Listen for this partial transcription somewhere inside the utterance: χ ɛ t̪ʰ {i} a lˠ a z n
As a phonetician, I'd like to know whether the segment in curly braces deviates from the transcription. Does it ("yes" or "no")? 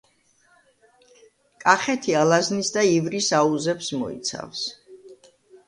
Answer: no